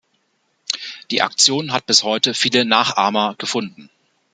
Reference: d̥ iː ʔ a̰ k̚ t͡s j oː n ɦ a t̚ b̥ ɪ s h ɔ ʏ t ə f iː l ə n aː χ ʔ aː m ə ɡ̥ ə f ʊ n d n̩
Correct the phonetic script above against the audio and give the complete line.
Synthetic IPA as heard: d̥ iː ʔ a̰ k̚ t͡s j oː n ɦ a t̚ b̥ ɪ s h ɔ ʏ t ə f iː l ə n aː χ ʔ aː m ɐ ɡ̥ ə f ʊ n d n̩